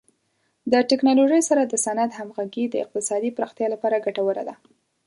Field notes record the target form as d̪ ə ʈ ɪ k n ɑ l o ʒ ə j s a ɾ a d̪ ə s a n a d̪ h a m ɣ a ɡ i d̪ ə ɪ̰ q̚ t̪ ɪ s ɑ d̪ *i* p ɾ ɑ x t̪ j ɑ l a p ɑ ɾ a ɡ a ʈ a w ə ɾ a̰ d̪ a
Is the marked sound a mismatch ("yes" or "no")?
no